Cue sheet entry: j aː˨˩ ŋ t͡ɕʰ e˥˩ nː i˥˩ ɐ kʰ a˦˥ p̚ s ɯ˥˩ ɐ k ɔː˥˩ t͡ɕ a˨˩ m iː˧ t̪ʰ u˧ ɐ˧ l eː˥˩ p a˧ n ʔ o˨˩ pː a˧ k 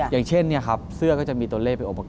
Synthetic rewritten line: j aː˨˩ ŋ t͡ɕʰ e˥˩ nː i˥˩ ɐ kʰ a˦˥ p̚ s ɯ˥˩ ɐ k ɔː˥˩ t͡ɕ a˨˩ m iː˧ t̪ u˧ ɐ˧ l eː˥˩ p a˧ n ʔ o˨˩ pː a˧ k